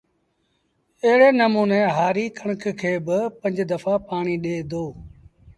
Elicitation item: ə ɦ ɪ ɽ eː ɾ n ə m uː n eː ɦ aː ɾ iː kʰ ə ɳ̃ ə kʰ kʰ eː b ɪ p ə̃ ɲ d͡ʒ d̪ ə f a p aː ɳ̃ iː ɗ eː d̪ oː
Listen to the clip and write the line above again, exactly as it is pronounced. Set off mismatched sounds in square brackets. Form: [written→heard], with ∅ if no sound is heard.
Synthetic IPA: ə ɦ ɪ ɽ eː [ɾ→∅] n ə m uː n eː ɦ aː ɾ iː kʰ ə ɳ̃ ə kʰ kʰ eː b ɪ p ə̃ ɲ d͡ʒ d̪ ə f a p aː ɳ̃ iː ɗ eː d̪ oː